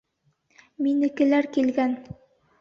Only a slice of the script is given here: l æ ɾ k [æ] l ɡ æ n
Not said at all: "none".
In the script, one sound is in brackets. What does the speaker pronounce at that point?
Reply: i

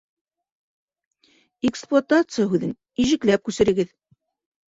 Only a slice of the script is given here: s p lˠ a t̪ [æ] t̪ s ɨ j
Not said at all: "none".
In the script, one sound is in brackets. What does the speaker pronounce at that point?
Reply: a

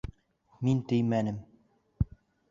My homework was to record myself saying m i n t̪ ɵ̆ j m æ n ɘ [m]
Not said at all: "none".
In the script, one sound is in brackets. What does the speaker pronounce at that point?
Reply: m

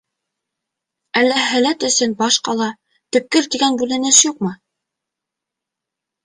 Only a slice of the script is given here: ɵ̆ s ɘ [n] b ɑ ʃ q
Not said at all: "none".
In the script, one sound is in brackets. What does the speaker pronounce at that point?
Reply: n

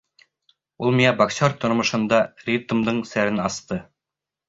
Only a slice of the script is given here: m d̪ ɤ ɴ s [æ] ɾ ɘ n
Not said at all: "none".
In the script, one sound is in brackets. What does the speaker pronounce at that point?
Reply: æ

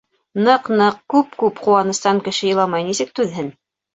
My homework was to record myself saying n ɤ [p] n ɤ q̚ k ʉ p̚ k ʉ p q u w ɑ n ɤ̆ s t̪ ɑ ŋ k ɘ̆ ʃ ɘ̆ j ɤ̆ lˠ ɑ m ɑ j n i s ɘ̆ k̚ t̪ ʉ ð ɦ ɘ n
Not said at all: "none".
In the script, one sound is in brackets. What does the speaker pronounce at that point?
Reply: q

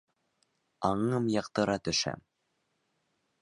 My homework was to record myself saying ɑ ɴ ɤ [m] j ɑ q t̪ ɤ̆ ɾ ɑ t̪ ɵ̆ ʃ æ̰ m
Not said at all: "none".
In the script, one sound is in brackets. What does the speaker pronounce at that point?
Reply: m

